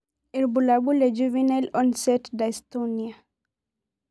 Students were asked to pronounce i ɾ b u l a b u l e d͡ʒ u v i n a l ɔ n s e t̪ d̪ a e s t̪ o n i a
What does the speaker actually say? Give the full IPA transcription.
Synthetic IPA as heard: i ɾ b u l a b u l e d͡ʒ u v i n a l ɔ n s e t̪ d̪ a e s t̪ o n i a